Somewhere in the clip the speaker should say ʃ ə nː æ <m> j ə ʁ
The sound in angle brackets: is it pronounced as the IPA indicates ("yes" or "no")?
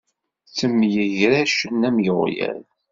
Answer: yes